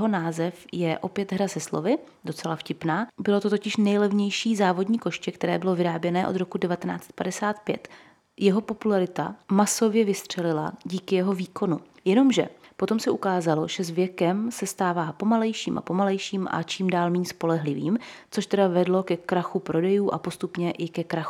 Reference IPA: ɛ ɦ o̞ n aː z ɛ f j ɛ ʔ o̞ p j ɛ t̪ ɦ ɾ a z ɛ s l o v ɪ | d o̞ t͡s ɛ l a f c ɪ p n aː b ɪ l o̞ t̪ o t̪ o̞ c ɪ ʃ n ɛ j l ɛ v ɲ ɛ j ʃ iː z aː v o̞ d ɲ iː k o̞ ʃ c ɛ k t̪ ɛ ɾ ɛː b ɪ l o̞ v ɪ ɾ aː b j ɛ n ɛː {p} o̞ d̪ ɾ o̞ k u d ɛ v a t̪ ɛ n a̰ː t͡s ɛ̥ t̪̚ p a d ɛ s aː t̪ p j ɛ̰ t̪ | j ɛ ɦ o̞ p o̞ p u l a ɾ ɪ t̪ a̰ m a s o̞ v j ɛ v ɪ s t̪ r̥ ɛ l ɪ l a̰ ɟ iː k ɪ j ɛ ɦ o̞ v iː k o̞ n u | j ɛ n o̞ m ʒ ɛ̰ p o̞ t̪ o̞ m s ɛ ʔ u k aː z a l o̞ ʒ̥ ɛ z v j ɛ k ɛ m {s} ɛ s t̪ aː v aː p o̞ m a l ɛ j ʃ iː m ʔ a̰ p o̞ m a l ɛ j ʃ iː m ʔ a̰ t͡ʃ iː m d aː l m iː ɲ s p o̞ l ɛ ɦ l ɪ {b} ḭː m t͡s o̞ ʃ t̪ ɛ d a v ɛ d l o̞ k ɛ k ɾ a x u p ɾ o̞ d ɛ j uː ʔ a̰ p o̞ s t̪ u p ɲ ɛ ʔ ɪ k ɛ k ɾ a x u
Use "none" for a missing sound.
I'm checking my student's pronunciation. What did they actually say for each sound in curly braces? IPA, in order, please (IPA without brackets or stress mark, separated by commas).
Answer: ʔ, s, v